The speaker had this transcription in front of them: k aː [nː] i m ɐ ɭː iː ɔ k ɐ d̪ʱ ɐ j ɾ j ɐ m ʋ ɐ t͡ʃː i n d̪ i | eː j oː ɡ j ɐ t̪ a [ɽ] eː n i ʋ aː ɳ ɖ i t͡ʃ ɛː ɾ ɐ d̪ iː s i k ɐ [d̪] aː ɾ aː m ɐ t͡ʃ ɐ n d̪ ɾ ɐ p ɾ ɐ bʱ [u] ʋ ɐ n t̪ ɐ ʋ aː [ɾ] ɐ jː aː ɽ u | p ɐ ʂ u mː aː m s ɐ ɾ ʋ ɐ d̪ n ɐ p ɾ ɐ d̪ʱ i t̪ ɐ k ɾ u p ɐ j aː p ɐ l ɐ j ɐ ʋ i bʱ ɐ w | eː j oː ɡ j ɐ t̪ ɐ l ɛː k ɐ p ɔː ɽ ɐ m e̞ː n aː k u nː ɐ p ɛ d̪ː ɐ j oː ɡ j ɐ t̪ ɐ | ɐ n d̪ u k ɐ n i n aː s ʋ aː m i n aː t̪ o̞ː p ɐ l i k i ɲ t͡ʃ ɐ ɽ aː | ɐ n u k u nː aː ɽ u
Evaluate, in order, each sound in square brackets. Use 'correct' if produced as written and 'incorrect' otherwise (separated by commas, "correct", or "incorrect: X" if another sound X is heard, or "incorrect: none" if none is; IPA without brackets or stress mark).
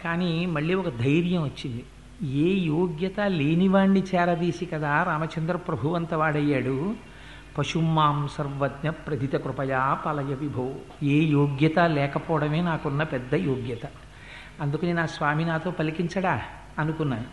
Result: incorrect: n, incorrect: l, correct, correct, incorrect: ɽ